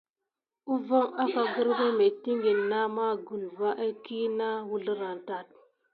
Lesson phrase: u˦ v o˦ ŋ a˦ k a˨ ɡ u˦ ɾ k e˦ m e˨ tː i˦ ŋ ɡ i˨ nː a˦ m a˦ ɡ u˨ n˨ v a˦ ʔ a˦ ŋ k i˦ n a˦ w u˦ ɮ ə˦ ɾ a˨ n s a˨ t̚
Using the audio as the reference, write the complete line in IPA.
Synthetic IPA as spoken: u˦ v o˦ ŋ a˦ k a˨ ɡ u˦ ɾ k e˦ m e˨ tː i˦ ŋ ɡ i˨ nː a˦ m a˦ ɡ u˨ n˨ v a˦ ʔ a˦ k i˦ n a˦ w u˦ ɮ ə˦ ɾ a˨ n t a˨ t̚